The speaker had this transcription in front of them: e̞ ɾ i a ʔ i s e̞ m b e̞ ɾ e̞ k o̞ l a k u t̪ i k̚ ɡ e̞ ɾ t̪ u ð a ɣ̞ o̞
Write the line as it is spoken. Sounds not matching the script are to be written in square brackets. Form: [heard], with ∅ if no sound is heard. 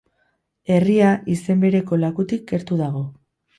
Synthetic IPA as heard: e̞ [r] i a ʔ i s e̞ m b e̞ ɾ e̞ k o̞ l a k u t̪ i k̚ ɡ e̞ ɾ t̪ u ð a ɣ̞ o̞